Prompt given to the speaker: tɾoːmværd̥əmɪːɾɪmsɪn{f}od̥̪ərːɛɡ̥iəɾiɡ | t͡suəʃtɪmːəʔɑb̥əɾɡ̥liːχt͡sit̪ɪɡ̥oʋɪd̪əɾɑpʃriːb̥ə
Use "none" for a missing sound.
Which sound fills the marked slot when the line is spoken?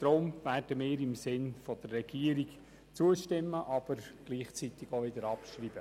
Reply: f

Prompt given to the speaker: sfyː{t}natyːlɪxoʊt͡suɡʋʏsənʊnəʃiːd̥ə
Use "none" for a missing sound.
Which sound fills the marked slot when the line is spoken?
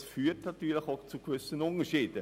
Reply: t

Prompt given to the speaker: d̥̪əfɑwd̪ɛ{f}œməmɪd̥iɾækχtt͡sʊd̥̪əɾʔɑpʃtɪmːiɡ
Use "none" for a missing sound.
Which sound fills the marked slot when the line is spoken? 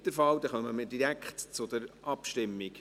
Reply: χ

